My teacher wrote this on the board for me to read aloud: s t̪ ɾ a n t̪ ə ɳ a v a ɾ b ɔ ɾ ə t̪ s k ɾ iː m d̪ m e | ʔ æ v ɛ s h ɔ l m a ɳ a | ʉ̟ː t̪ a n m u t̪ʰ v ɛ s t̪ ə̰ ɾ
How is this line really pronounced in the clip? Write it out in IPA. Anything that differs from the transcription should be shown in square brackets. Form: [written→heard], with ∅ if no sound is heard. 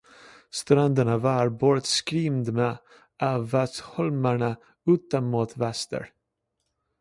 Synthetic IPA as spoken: s t̪ ɾ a n [t̪→d̪] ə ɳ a v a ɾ b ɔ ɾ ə t̪ s k ɾ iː m d̪ m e | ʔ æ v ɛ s h ɔ l m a ɳ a | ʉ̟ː t̪ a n m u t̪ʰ v ɛ s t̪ ə̰ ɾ

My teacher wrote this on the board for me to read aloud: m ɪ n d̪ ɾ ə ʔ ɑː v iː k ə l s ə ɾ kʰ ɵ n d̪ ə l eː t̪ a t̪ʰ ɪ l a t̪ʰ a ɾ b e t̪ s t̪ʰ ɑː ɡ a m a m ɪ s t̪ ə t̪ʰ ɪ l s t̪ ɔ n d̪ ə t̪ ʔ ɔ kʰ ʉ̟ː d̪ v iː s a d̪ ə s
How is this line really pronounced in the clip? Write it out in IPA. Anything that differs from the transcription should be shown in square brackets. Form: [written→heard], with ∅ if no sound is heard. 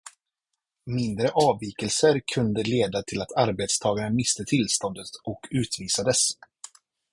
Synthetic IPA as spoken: m ɪ n d̪ ɾ ə ʔ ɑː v iː k ə l s ə ɾ kʰ ɵ n d̪ ə l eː [t̪→d̪] a t̪ʰ ɪ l a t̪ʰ a ɾ b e t̪ s t̪ʰ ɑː ɡ a [m→ɳ] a m ɪ s t̪ ə t̪ʰ ɪ l s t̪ ɔ n d̪ ə t̪ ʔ ɔ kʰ ʉ̟ː [d̪→t̪] v iː s a d̪ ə s

